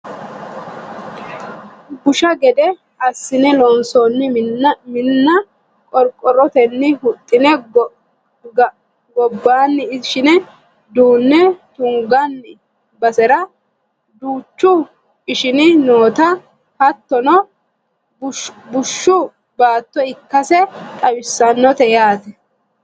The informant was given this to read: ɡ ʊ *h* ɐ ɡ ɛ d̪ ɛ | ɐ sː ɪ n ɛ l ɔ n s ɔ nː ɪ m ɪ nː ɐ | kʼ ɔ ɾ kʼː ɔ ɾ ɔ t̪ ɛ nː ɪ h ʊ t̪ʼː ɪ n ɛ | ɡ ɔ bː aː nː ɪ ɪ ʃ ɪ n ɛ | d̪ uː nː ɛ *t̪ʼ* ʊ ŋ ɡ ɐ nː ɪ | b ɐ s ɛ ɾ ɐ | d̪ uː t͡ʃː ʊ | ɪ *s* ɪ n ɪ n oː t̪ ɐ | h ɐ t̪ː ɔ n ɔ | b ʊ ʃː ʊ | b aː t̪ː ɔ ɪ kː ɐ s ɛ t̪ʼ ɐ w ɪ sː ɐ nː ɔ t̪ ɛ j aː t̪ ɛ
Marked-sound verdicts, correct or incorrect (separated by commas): incorrect, incorrect, incorrect